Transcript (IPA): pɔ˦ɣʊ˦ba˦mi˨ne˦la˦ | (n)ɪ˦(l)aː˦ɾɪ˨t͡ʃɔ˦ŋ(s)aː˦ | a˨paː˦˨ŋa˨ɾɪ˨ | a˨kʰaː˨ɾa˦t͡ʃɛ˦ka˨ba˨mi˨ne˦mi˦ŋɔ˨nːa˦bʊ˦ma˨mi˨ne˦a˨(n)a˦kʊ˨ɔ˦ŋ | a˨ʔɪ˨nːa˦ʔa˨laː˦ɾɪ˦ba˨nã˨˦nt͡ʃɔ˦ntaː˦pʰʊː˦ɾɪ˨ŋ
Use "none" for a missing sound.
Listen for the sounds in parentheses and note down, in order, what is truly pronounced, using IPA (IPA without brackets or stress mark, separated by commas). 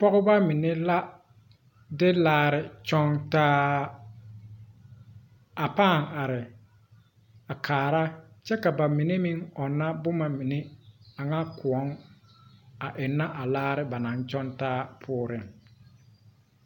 d, l, t, ŋ